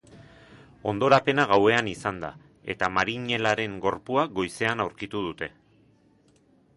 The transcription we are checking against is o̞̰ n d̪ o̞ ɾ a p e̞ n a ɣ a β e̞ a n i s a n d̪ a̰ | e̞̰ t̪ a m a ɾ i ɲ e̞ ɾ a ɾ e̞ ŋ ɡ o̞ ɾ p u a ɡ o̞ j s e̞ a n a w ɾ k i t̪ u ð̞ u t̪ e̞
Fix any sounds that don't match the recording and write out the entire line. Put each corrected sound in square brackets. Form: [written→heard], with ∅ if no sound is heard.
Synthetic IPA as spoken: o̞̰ n d̪ o̞ ɾ a p e̞ n a ɣ a [β→w] e̞ a n i s a n d̪ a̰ | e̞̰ t̪ a m a ɾ i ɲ e̞ [ɾ→l] a ɾ e̞ ŋ ɡ o̞ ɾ p u a ɡ o̞ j s e̞ a n a w ɾ k i t̪ u ð̞ u t̪ e̞